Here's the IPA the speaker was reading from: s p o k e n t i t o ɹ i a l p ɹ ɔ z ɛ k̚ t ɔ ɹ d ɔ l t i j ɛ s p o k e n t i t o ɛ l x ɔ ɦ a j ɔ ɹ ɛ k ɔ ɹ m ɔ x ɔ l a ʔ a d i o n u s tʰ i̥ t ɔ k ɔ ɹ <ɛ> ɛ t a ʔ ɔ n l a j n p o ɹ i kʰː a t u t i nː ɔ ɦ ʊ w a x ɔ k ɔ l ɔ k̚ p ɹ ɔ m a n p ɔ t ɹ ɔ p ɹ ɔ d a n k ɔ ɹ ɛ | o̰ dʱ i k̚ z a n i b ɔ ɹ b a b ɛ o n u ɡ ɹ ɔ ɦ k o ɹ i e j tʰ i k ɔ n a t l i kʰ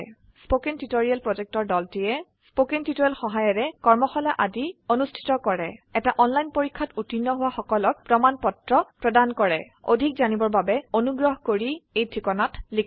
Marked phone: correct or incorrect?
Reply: correct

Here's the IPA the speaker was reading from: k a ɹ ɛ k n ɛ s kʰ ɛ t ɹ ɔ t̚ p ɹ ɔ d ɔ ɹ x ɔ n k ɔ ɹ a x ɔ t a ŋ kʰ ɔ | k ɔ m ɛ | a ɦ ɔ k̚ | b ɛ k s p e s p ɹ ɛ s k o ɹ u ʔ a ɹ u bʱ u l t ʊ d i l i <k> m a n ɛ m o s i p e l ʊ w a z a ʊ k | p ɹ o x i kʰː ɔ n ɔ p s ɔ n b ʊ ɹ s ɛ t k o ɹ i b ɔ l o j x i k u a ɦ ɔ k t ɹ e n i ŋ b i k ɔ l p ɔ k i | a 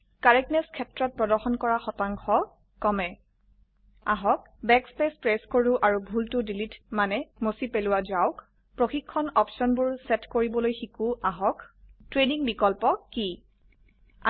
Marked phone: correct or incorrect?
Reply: incorrect: t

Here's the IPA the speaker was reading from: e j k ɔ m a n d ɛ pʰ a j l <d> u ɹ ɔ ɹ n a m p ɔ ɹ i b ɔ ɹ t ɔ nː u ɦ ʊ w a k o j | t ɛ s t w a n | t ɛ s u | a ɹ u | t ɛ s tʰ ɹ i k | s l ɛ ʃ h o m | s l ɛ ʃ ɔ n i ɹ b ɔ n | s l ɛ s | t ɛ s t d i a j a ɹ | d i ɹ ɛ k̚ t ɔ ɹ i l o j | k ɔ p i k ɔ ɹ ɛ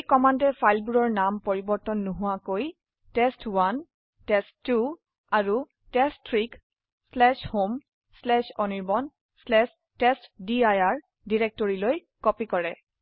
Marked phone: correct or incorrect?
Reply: incorrect: b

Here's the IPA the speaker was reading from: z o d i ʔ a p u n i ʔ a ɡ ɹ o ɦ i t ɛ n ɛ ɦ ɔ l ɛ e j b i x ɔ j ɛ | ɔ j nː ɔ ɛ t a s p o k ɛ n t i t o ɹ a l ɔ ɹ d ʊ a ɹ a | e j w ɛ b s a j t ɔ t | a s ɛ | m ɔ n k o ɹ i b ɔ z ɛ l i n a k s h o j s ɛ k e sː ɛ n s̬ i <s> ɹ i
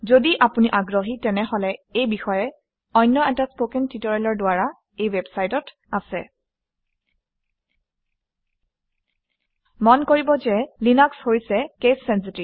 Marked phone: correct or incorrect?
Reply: incorrect: t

